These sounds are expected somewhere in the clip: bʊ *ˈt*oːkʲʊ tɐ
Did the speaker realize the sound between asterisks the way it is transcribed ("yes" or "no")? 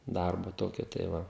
yes